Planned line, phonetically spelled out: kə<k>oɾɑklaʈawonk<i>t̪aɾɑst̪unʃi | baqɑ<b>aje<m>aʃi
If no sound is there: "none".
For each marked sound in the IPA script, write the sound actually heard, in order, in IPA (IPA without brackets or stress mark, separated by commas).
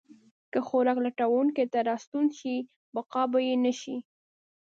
x, e, b, n